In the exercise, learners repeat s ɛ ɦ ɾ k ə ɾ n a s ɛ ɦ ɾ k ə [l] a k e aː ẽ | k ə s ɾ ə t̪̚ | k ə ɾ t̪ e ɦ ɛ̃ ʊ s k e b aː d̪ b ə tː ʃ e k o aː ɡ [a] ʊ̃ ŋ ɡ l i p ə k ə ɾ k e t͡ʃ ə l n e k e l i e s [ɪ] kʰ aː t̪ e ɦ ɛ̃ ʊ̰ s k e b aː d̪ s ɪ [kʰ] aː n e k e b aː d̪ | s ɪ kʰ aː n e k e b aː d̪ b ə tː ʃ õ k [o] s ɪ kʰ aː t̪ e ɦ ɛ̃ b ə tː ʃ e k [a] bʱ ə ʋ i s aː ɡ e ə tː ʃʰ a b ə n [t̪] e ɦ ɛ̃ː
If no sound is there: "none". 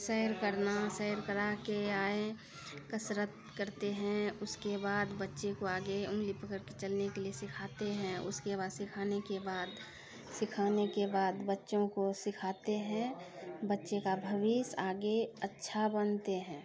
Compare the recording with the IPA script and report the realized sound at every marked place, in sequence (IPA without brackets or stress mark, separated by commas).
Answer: ɾ, e, ɪ, kʰ, o, a, t̪